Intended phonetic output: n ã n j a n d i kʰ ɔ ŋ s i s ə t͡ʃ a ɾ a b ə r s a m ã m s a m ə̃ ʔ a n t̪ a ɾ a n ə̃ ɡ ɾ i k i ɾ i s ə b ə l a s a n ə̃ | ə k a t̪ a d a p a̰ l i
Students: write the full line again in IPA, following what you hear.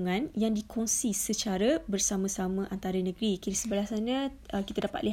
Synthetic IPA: ŋ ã n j a ŋ d i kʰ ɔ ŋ s i s ə t͡ʃ a ɾ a b ə r s a m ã s a m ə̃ ʔ a n t̪ a ɾ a n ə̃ ɡ ɾ i k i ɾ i s ə b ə l a s a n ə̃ | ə k i t̪ a d a p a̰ l i